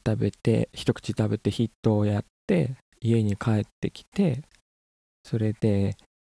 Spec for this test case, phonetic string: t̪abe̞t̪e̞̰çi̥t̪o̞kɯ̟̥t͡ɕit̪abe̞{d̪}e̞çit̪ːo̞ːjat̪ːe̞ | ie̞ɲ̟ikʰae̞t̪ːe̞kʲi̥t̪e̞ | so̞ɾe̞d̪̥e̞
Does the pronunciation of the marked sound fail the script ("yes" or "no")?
yes